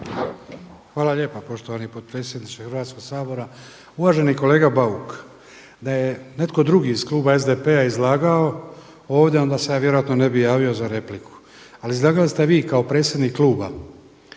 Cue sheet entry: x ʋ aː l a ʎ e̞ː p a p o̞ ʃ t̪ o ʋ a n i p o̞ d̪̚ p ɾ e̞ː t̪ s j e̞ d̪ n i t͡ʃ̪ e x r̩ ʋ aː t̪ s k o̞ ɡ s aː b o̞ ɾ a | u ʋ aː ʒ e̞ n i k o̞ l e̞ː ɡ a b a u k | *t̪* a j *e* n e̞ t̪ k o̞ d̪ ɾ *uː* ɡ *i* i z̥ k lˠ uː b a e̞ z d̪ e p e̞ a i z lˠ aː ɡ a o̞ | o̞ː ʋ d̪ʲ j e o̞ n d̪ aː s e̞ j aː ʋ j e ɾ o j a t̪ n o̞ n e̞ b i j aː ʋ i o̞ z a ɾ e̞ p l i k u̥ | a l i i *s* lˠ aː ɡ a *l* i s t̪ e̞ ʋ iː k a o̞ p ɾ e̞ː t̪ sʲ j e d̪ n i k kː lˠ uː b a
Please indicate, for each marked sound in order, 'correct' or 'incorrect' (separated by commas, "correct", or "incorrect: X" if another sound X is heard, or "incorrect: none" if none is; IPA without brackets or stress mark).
incorrect: d̪, correct, incorrect: u, correct, incorrect: z, correct